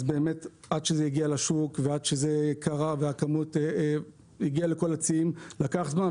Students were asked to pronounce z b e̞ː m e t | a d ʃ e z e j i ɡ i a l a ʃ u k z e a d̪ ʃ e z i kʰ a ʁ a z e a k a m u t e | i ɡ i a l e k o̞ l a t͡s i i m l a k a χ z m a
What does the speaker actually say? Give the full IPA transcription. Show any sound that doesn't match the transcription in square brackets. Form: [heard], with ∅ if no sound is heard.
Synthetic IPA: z b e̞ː m e t | a d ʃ e z e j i ɡ i a l a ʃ u k [v] e a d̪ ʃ e z [e] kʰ a ʁ a [v] e a k a m u t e | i ɡ i a l e k o̞ l a t͡s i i m l a k a χ z m a